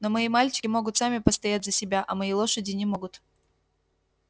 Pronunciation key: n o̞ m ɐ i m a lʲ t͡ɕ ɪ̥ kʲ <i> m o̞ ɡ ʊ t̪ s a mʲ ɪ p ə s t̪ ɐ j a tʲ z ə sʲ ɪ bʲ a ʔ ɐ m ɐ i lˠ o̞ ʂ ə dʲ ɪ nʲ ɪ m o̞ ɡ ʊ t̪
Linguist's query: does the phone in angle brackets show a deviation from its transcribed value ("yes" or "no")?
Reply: yes